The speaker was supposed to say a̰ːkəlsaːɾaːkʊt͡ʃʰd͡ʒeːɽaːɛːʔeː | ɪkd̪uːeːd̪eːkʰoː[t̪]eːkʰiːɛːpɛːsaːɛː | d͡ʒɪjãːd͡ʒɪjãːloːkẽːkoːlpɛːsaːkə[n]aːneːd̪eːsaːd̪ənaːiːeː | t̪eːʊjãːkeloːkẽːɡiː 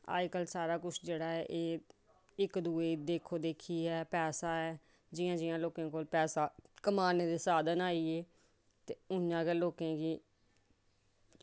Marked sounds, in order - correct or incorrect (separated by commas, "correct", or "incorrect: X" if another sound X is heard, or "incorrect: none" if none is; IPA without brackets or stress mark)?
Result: incorrect: d̪, incorrect: m